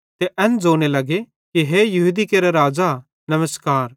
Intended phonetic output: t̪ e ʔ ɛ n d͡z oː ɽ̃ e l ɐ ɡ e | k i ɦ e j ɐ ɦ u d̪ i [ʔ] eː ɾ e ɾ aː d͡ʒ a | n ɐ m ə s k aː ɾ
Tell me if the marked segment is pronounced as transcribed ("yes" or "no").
no